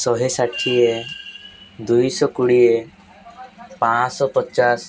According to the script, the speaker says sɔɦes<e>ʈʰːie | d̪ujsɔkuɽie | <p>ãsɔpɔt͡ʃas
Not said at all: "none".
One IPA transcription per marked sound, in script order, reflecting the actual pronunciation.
a, p

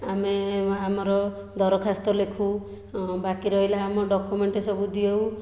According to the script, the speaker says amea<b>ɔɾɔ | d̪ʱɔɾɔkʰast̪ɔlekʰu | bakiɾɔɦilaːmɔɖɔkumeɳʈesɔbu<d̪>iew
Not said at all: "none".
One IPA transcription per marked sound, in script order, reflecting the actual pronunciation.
m, d̪

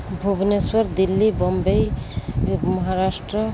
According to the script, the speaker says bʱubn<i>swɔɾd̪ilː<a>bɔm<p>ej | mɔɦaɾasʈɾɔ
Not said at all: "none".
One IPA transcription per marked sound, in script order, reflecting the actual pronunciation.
e, i, b

